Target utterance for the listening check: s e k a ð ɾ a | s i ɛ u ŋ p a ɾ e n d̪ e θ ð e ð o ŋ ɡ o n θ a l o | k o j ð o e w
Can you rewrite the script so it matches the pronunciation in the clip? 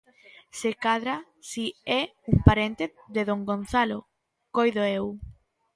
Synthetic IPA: s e k a ð ɾ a | s i ɛ u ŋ p a ɾ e n t̪ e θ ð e ð o ŋ ɡ o n θ a l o | k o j ð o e w